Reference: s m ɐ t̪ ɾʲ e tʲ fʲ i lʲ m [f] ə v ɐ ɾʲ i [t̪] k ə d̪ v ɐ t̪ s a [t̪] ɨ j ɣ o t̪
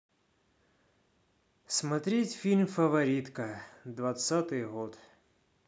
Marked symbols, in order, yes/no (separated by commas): yes, yes, yes